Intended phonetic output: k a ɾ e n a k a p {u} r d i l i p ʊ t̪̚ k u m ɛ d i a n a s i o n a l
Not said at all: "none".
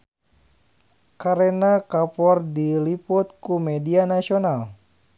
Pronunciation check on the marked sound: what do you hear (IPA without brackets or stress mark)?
ɔ